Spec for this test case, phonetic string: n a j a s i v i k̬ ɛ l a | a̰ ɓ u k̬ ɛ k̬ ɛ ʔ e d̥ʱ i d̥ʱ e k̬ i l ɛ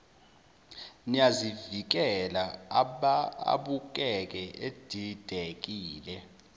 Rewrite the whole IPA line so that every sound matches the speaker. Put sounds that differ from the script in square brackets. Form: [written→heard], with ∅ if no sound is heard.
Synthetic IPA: n [a→i] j a [s→z] i v i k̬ ɛ l a | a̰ ɓ u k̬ ɛ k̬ ɛ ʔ e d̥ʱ i d̥ʱ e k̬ [i→iː] l ɛ